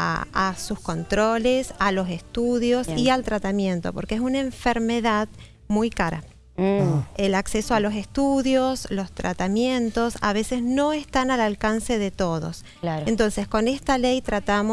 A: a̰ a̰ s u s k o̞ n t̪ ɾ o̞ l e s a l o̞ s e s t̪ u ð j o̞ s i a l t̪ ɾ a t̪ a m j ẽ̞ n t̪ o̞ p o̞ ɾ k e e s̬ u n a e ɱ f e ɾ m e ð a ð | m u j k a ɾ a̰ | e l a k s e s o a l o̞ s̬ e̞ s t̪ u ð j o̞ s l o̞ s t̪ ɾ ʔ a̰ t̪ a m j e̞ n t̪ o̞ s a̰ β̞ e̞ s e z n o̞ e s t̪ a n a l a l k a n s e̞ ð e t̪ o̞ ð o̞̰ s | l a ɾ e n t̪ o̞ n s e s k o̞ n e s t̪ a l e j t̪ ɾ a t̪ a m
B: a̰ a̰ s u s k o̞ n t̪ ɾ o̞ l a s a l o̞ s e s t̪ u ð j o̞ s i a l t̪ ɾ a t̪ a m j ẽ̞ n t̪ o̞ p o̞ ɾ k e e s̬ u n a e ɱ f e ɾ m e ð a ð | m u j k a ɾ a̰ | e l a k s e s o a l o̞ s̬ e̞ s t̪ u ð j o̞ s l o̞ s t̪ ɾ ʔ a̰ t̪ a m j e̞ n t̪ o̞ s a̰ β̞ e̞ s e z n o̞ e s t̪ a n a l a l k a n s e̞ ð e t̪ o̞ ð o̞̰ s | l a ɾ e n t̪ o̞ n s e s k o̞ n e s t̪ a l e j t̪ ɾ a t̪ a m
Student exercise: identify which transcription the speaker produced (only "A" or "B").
A